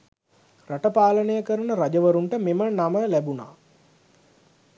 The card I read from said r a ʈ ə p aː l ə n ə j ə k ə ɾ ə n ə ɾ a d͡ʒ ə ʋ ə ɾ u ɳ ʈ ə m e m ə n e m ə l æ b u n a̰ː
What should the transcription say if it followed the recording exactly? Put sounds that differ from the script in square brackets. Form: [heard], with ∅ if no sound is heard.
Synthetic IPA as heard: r a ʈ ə p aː l ə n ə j ə k ə ɾ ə n ə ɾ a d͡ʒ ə ʋ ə ɾ u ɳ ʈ ə m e m ə n [a] m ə l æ b u n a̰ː